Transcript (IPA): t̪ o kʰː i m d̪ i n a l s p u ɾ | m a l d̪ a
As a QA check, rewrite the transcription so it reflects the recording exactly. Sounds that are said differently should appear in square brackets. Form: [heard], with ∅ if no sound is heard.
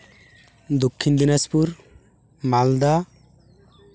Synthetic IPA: [d̪] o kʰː i [n] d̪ i n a [∅] s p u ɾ | m a l d̪ a